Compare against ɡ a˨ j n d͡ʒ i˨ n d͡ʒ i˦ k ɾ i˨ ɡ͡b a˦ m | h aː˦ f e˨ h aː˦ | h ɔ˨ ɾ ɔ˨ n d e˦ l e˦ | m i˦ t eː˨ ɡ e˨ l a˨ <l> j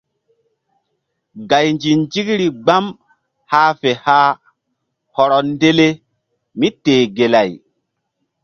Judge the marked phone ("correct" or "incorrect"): incorrect